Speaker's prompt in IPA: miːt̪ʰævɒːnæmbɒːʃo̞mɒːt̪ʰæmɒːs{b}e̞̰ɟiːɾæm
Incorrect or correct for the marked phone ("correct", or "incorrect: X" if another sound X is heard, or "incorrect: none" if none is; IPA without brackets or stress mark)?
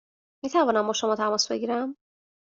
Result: correct